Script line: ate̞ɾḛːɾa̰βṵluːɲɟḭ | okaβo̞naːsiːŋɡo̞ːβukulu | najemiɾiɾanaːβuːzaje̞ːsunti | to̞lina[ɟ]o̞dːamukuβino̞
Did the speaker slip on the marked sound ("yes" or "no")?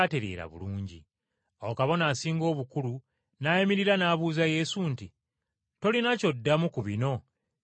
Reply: yes